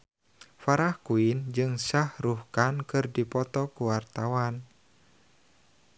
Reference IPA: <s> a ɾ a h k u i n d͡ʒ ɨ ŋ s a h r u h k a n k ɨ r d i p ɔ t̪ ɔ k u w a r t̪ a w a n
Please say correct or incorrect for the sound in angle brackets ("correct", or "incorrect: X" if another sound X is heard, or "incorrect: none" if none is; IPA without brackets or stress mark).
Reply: incorrect: f